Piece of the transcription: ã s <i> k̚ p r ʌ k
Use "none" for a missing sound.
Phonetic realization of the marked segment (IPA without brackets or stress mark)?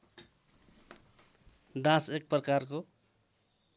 e